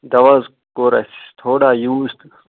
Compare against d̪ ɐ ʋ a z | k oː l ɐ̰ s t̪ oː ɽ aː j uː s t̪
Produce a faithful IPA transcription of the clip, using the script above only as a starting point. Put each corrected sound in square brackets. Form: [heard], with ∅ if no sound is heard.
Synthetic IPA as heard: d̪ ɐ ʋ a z | k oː [ɾ] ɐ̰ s [t̪ʰ] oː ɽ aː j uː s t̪